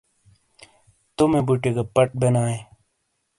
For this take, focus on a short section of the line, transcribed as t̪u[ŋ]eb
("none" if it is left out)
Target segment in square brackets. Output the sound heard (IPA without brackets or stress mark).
m